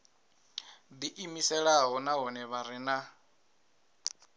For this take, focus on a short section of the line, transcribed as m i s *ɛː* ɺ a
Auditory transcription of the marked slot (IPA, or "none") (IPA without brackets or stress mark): ɛ